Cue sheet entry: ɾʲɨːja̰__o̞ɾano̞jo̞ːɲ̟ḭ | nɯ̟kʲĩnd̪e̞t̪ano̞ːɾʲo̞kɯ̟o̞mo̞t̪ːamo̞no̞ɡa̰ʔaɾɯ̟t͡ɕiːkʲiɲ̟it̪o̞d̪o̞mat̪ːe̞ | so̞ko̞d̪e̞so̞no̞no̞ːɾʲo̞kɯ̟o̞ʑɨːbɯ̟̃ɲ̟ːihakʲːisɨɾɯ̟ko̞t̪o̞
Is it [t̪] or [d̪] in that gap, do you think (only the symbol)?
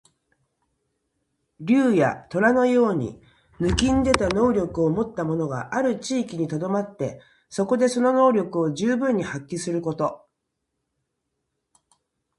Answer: t̪